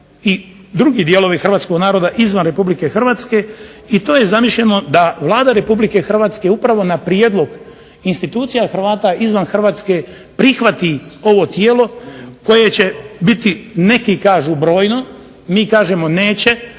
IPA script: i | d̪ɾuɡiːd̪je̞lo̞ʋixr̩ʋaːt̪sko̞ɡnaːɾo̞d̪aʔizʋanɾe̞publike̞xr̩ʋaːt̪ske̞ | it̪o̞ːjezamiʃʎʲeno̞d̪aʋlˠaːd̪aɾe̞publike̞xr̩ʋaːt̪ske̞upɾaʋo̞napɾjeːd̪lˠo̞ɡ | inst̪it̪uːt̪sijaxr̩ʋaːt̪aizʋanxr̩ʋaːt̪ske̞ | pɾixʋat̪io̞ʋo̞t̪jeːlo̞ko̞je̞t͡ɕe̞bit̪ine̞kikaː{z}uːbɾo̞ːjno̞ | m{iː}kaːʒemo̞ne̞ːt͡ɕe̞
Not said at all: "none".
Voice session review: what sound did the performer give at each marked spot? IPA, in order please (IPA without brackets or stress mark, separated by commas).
ʒ, iː